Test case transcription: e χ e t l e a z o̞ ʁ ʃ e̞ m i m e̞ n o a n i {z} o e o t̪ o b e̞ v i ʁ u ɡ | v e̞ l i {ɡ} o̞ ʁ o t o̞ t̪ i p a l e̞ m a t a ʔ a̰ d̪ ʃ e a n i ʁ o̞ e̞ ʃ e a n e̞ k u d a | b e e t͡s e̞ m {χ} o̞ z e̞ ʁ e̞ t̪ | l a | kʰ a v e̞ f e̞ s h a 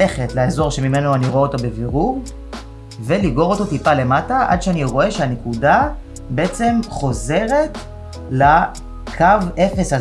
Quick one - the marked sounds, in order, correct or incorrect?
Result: incorrect: ʁ, correct, correct

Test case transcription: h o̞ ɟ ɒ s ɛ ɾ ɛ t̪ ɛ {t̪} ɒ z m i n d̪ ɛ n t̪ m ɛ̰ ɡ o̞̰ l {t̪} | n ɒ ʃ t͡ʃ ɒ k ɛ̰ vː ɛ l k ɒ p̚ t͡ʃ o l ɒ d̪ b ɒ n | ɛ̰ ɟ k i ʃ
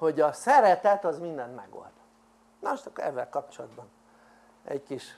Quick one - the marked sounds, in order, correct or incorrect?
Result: correct, incorrect: d̪

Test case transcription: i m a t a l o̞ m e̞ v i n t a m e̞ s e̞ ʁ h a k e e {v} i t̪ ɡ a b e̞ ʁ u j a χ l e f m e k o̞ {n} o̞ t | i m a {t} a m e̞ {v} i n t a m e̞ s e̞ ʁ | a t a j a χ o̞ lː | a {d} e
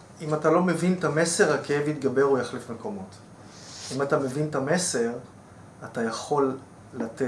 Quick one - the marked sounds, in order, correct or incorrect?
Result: correct, incorrect: m, correct, correct, incorrect: t

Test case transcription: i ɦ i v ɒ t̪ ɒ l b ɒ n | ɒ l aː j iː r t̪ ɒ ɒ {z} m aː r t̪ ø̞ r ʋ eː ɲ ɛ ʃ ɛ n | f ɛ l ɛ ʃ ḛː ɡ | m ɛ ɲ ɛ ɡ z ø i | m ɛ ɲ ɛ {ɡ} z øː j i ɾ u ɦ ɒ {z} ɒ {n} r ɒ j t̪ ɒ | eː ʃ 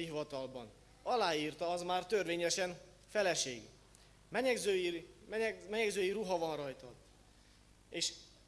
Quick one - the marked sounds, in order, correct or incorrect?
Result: correct, correct, incorrect: v, correct

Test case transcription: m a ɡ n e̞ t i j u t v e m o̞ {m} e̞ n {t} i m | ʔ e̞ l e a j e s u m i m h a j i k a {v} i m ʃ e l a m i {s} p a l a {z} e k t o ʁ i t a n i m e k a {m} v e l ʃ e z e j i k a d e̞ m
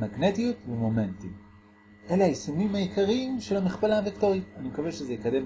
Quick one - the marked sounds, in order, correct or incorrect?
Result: correct, correct, incorrect: ʁ, incorrect: χ, incorrect: v, incorrect: none

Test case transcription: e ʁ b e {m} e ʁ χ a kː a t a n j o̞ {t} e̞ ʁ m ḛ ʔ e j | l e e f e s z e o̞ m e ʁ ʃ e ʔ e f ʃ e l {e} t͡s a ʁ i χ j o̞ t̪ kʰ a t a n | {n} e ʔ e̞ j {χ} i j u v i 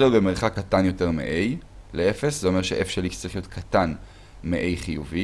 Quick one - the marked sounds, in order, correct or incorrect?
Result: correct, correct, incorrect: i, incorrect: m, correct

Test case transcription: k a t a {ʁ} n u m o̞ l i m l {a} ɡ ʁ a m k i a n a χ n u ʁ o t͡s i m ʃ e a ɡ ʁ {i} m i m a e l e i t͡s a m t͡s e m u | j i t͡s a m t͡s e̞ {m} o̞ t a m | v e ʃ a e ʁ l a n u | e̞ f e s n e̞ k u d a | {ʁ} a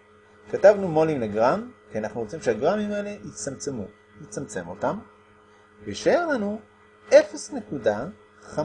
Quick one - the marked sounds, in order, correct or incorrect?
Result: incorrect: v, incorrect: e, incorrect: a, correct, incorrect: χ

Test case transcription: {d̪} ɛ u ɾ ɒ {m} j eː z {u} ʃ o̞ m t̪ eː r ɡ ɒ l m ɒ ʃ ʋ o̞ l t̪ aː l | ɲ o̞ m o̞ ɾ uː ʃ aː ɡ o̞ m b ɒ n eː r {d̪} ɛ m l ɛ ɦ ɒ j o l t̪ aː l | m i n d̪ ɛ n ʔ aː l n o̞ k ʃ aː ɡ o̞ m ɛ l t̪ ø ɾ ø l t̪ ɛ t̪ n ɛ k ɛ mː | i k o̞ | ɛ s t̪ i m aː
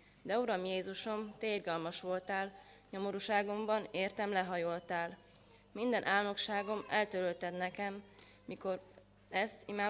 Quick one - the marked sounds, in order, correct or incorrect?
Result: correct, correct, correct, incorrect: t̪

